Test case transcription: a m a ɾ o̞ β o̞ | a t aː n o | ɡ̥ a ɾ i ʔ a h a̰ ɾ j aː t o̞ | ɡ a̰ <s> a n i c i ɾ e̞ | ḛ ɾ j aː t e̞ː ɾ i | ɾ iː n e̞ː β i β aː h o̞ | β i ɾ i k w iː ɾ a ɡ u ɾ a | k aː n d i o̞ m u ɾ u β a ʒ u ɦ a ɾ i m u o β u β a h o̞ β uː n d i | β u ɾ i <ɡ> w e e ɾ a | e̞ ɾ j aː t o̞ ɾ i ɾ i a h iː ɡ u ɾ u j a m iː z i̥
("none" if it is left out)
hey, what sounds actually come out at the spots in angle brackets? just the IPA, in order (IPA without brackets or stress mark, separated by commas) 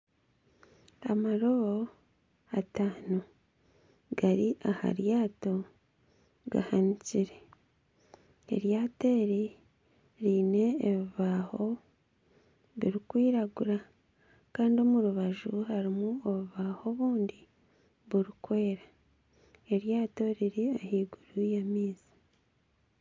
h, k